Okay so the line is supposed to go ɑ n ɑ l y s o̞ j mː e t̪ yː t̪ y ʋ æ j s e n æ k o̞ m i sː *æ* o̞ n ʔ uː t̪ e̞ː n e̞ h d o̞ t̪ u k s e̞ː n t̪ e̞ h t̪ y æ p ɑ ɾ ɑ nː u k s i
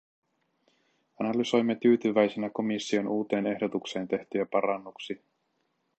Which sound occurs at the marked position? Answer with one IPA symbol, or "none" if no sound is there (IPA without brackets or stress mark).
i